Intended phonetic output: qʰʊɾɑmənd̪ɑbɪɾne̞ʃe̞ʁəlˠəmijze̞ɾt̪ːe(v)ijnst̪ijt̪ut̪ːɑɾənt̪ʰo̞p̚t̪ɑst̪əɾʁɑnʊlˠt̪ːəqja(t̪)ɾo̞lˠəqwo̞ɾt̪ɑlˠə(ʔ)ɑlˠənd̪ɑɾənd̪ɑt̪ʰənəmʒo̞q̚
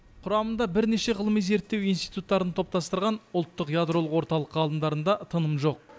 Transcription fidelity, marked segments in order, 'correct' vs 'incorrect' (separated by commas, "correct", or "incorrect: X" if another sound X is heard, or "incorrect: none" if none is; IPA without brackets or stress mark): incorrect: w, incorrect: d̪, incorrect: q